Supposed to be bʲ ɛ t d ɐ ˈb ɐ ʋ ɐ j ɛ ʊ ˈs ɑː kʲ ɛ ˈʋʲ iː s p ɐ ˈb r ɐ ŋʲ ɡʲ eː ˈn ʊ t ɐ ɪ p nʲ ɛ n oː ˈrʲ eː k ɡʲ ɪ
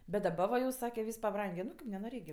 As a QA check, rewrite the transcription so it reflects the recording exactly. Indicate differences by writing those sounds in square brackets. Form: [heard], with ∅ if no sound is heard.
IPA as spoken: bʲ ɛ t d ɐ ˈb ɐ ʋ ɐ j ɛ ʊ ˈs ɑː kʲ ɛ ˈʋʲ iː s p ɐ ˈb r ɐ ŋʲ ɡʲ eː ˈn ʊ [k] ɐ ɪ p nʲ ɛ n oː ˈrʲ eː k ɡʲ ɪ